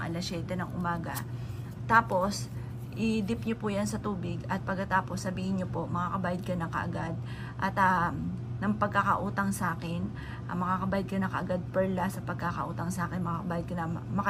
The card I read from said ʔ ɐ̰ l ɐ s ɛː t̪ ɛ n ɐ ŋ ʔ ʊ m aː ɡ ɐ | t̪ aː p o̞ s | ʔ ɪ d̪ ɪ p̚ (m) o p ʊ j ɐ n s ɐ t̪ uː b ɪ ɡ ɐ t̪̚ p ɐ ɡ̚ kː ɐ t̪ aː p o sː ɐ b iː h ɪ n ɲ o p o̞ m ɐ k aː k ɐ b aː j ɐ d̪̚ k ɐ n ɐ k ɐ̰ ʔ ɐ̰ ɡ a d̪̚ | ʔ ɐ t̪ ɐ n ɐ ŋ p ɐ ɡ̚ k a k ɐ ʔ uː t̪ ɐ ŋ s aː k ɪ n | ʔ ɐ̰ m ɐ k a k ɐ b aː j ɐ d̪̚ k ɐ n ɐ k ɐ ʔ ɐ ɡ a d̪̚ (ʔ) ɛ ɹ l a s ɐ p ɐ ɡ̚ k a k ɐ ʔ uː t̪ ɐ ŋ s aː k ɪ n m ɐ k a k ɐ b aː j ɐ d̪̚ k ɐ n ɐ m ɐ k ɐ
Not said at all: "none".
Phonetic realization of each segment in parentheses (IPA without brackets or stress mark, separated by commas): ɲ, p